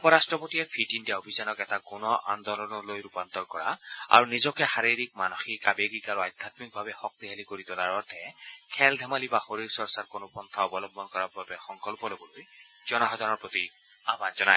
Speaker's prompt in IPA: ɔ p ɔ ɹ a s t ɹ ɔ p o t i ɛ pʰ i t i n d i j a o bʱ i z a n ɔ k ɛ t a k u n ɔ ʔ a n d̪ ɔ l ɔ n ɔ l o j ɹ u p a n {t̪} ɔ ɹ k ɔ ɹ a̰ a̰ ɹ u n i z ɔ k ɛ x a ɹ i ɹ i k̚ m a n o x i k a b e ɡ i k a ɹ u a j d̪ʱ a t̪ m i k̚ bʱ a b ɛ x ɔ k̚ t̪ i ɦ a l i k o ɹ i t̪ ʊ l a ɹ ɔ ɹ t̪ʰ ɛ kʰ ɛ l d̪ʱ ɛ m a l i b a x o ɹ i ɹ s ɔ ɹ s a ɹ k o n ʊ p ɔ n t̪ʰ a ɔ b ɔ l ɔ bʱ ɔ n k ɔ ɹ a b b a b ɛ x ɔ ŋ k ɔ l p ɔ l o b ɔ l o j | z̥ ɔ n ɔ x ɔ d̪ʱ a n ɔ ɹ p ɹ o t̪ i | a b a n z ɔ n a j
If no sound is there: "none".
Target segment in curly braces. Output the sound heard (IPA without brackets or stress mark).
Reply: t̪